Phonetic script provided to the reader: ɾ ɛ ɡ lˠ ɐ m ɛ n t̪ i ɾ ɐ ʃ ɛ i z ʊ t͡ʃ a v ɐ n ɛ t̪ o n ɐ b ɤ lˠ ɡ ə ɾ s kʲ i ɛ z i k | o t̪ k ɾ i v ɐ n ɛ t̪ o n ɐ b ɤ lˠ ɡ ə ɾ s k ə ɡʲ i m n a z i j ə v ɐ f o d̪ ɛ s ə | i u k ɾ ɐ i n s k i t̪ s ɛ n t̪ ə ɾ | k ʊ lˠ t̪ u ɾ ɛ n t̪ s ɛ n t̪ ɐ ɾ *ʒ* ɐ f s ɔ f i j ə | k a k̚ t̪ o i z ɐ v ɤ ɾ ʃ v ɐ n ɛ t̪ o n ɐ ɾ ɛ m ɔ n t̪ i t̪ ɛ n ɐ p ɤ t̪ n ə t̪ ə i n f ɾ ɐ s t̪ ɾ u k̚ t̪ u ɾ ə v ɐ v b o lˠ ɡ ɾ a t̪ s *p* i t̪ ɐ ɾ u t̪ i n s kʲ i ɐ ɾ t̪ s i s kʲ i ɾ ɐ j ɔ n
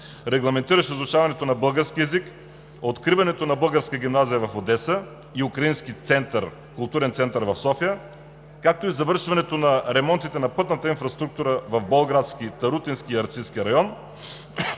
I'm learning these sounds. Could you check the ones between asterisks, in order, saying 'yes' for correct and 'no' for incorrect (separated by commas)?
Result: no, no